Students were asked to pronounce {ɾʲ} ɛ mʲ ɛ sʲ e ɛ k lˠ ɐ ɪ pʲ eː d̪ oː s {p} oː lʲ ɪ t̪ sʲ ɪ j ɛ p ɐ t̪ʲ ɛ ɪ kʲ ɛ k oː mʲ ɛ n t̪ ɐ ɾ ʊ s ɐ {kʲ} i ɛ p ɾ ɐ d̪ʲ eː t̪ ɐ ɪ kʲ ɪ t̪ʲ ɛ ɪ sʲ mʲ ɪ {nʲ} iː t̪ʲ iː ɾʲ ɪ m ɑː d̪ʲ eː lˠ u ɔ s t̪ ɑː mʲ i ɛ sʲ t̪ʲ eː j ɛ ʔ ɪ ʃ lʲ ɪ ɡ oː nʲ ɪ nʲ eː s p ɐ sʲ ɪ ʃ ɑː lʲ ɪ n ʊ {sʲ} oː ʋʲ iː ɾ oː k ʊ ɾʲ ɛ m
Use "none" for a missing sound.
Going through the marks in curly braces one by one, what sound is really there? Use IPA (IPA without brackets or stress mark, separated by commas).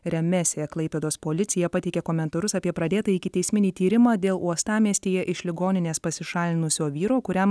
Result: ɾʲ, p, pʲ, nʲ, sʲ